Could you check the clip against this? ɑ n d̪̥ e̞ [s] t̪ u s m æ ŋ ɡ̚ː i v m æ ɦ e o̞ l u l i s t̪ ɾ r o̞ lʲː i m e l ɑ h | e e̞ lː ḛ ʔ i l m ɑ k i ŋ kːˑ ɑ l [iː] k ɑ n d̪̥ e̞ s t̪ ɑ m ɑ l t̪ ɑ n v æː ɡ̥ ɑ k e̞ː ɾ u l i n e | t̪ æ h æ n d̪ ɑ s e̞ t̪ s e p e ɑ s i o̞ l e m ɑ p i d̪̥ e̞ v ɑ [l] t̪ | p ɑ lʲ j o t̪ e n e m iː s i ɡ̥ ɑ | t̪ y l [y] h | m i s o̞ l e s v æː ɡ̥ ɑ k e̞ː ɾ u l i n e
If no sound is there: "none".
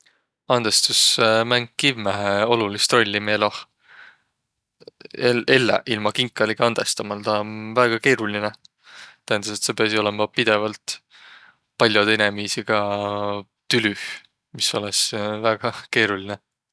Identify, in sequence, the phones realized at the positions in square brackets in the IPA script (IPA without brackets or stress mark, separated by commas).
s, i, l, y